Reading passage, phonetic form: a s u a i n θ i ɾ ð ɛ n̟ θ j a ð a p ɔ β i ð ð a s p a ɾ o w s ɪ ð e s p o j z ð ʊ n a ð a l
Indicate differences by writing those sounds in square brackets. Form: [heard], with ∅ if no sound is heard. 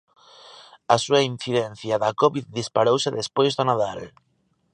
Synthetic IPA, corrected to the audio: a s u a i n θ i [∅] ð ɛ n̟ θ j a ð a [k] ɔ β i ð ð [i] s p a ɾ o w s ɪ ð e s p o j z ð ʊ n a ð a l